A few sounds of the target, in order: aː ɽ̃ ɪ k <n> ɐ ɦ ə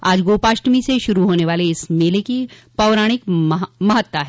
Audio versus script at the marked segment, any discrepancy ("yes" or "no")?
yes